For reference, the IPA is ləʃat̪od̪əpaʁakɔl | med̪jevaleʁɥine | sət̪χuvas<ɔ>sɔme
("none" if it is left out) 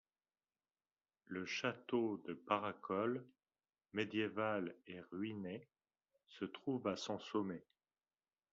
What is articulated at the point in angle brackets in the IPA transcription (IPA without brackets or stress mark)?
ɔ̃